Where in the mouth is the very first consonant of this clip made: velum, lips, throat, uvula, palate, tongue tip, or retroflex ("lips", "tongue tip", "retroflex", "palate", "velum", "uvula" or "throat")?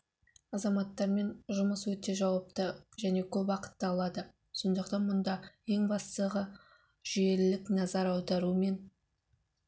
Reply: tongue tip